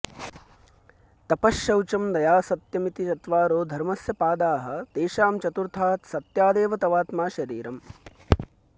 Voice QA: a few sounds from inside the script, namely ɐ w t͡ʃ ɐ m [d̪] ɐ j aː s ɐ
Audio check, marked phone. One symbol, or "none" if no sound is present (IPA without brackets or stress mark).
d̪